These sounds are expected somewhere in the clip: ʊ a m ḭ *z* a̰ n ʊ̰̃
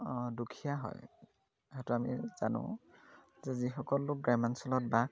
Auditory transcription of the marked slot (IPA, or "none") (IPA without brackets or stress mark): z